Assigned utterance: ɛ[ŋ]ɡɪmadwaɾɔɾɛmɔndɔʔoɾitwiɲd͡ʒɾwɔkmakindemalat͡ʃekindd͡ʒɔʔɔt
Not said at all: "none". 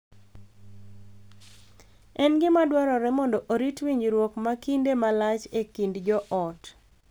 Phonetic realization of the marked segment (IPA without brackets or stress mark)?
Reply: n